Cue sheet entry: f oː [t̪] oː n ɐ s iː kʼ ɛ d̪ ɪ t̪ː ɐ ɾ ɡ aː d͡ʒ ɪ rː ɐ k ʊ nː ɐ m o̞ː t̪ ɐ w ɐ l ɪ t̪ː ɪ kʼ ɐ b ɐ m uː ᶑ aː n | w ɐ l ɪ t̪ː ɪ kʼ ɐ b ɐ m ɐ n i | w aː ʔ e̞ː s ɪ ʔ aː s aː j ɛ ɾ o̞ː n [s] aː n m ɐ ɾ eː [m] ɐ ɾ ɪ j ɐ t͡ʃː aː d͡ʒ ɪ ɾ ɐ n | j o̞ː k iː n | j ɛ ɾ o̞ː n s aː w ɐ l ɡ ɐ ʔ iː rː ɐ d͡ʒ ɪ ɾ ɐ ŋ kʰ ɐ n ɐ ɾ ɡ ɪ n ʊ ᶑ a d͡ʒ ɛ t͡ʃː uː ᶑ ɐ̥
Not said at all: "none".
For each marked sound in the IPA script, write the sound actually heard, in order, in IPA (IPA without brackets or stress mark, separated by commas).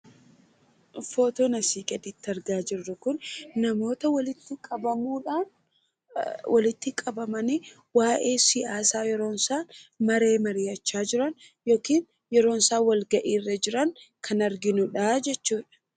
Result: t̪, s, m